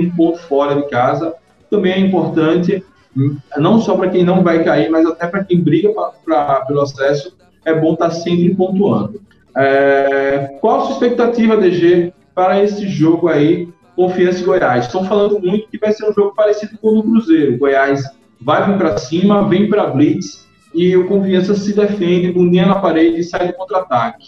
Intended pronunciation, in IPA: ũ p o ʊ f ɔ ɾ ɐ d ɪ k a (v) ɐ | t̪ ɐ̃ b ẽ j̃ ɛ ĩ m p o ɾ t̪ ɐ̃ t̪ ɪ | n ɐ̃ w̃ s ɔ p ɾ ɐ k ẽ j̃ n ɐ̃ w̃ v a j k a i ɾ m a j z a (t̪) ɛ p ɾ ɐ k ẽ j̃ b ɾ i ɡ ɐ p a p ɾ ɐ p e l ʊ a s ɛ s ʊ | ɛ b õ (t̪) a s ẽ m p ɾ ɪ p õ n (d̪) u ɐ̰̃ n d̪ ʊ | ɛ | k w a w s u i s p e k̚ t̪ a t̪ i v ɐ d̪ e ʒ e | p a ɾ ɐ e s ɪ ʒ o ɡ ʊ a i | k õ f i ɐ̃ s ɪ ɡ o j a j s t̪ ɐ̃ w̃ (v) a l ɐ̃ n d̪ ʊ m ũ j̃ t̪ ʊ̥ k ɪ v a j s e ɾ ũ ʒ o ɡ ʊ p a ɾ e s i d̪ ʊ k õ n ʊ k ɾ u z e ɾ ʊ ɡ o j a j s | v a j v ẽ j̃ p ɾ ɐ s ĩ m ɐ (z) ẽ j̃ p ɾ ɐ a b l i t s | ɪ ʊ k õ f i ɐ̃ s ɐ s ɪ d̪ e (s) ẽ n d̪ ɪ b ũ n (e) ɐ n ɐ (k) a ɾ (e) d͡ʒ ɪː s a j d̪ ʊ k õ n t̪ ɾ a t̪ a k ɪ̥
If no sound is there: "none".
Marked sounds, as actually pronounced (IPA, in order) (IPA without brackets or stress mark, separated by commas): z, t̪, t̪, t̪, f, v, f, i, p, e